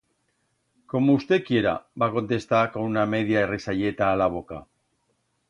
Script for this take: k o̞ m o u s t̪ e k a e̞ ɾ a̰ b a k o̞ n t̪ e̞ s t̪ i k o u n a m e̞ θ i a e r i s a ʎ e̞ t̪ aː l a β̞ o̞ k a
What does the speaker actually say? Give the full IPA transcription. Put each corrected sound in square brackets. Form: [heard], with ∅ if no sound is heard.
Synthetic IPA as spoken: k o̞ m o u s t̪ e k [i] e̞ ɾ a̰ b a k o̞ n t̪ e̞ s t̪ [a] k o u n a m e̞ [ð] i a e r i s a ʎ e̞ t̪ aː l a β̞ o̞ k a